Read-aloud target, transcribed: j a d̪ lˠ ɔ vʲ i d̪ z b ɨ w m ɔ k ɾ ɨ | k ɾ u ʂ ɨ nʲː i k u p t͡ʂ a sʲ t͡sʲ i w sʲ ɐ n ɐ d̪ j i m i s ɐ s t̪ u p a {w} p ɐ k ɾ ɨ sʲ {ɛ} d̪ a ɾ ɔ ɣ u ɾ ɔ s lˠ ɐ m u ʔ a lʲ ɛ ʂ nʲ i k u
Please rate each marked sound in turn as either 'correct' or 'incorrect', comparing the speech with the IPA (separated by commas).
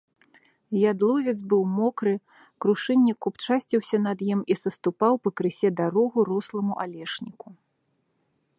correct, correct